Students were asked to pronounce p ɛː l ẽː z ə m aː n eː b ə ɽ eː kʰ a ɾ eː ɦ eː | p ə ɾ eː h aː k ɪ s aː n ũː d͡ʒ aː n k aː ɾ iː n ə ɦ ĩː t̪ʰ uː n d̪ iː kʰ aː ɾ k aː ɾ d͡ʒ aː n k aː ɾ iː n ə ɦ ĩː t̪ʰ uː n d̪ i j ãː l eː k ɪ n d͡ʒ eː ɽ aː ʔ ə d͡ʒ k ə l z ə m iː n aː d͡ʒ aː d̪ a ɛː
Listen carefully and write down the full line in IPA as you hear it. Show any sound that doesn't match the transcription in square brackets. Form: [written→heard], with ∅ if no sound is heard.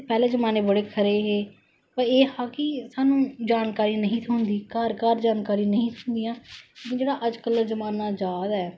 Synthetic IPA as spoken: p ɛː l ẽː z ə m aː n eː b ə ɽ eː kʰ [a→ə] ɾ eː ɦ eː | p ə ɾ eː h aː k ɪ s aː n ũː d͡ʒ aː n k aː ɾ iː n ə ɦ ĩː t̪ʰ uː n d̪ iː [kʰ→k] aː ɾ k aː ɾ d͡ʒ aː n k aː ɾ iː n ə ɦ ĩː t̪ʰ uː n d̪ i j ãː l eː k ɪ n d͡ʒ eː ɽ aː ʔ ə d͡ʒ k ə l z ə m [iː→aː] n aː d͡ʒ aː d̪ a ɛː

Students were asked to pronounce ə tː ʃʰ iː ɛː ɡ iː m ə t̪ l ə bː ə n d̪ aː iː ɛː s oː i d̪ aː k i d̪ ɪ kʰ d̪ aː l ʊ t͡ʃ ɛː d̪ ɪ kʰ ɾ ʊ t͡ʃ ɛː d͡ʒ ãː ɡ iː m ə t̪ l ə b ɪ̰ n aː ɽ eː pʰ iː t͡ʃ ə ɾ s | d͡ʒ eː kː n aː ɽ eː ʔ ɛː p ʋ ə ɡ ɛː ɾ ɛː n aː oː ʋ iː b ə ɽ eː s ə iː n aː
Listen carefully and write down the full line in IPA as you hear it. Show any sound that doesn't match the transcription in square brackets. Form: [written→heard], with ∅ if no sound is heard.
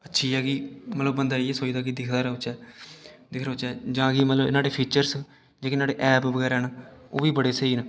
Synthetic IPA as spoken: ə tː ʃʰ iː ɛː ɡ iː m ə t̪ l ə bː ə n d̪ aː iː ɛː s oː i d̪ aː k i d̪ ɪ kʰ d̪ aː [l→ɾ] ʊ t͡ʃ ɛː d̪ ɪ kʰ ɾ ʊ t͡ʃ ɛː d͡ʒ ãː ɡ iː m ə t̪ l ə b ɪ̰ n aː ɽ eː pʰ iː t͡ʃ ə ɾ s | d͡ʒ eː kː n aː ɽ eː ʔ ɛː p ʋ ə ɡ ɛː ɾ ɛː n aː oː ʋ iː b ə ɽ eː s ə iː n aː

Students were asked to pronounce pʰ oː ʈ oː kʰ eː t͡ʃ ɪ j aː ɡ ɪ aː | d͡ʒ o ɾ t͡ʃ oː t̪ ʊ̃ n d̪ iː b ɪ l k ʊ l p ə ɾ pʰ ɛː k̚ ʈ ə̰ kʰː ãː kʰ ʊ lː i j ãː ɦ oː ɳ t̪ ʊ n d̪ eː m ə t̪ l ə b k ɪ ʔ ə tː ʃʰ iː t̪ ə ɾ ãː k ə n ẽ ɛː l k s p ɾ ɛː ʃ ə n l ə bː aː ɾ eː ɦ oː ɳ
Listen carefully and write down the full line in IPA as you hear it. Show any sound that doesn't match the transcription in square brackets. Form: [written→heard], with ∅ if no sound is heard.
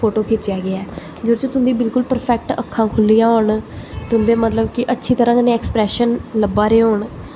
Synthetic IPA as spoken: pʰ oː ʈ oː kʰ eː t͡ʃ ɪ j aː ɡ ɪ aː | d͡ʒ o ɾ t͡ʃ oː t̪ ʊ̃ n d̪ iː b ɪ l k ʊ l p ə ɾ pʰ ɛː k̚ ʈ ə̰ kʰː ãː kʰ ʊ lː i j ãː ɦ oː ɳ t̪ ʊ n d̪ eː m ə t̪ l ə b k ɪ ʔ ə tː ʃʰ iː t̪ ə ɾ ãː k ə n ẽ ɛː [l→∅] k s p ɾ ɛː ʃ ə n l ə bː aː ɾ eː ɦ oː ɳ

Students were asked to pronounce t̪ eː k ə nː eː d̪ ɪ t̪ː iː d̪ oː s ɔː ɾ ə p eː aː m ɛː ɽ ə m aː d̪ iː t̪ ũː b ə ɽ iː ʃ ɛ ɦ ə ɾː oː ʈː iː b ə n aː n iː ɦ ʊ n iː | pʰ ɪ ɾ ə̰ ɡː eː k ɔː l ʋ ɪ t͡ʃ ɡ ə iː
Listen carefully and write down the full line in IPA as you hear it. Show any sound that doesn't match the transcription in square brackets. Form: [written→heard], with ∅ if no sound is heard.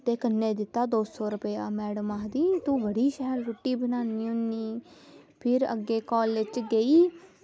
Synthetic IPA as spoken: t̪ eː k ə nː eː d̪ ɪ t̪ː [iː→aː] d̪ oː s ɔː ɾ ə p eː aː m ɛː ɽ ə m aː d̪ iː t̪ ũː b ə ɽ iː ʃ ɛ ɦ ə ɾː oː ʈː iː b ə n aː n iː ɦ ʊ n iː | pʰ ɪ ɾ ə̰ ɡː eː k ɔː l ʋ ɪ t͡ʃ ɡ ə iː

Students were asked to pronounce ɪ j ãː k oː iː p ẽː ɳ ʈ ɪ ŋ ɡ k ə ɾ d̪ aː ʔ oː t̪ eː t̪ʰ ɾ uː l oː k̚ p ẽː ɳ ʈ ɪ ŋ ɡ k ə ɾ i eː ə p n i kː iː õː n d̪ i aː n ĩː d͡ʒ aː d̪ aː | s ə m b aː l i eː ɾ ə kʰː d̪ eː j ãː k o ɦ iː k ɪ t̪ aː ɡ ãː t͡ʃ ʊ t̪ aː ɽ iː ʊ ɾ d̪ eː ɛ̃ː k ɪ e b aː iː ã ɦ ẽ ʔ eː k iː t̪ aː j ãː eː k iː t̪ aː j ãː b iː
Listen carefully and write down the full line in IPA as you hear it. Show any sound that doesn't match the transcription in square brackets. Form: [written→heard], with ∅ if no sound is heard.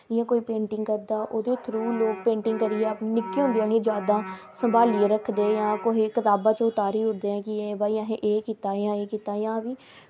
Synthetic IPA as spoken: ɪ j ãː k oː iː p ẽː ɳ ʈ ɪ ŋ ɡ k ə ɾ d̪ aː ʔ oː [t̪→d̪] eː t̪ʰ ɾ uː l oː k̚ p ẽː ɳ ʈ ɪ ŋ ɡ k ə ɾ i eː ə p n [i→ɪ] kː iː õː n d̪ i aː n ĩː d͡ʒ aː d̪ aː | s ə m b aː l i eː ɾ ə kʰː d̪ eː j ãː k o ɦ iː k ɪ t̪ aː [ɡ→b] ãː t͡ʃ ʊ t̪ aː [ɽ→ɾ] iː ʊ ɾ d̪ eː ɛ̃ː k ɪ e b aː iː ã ɦ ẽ ʔ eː k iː t̪ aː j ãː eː k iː t̪ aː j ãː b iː

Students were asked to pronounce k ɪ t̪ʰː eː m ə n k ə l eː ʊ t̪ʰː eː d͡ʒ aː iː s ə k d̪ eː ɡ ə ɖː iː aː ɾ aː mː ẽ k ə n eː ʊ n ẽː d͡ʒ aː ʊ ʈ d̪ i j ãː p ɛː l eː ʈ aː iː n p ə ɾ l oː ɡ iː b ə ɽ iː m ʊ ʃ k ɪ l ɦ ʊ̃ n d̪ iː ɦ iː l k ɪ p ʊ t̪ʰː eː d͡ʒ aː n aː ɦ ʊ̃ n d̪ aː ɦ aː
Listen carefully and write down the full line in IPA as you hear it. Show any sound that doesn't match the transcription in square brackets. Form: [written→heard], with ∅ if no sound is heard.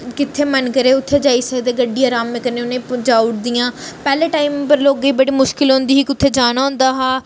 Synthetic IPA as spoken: k ɪ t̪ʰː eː m ə n k ə [l→ɾ] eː ʊ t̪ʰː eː d͡ʒ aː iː s ə k d̪ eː ɡ ə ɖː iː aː ɾ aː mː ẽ k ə n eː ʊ n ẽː d͡ʒ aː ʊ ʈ d̪ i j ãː p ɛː l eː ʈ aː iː [n→m] p ə ɾ l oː ɡ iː b ə ɽ iː m ʊ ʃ k ɪ l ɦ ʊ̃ n d̪ iː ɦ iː [l→∅] k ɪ [p→∅] ʊ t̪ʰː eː d͡ʒ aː n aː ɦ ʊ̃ n d̪ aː ɦ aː

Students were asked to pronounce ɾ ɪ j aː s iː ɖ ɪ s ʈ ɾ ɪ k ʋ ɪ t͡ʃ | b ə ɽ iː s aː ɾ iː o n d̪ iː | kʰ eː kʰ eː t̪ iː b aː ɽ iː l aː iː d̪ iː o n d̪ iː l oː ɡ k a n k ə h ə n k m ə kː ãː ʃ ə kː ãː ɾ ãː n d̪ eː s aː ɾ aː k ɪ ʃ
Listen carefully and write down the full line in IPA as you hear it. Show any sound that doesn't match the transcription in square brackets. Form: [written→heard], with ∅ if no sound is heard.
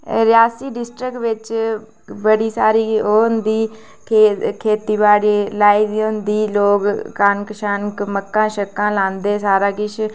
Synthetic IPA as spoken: ɾ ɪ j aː s iː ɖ ɪ s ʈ ɾ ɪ k ʋ ɪ t͡ʃ | b ə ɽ iː s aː ɾ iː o n d̪ iː | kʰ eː kʰ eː t̪ iː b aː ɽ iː l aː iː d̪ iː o n d̪ iː l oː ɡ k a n k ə [h→ʃ] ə n k m ə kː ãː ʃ ə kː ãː [ɾ→l] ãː n d̪ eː s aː ɾ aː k ɪ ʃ

